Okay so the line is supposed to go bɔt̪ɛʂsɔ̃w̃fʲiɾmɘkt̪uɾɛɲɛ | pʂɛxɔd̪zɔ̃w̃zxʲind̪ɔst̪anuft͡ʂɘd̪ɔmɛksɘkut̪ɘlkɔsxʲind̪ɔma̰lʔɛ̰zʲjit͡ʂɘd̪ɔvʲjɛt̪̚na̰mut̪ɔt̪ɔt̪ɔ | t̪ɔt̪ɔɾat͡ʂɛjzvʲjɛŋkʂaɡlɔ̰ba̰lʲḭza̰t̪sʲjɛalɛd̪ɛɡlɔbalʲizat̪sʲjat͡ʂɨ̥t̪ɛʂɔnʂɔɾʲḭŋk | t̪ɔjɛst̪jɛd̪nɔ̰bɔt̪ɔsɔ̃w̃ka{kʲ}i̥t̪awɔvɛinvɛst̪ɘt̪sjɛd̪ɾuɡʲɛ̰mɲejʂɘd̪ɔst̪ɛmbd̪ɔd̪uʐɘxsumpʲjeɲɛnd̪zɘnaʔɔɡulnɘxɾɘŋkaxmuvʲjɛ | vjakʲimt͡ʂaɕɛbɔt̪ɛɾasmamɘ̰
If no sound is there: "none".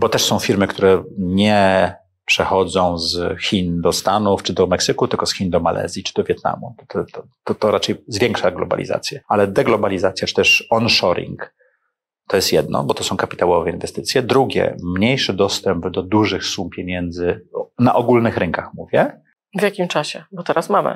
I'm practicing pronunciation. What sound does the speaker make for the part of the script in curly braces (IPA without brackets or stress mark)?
pʲ